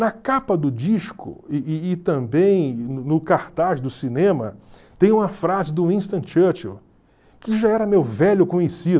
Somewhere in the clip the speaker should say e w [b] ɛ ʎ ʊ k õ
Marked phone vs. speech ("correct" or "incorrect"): incorrect